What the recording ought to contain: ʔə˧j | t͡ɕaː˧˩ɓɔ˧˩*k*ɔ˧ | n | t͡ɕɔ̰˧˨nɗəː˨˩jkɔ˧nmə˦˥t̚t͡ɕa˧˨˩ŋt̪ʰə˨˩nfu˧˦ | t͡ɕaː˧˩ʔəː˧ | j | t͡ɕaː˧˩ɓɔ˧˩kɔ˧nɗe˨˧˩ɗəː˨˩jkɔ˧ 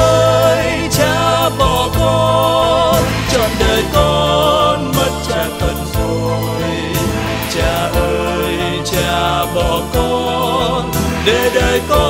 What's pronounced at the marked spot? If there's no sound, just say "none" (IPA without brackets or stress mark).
k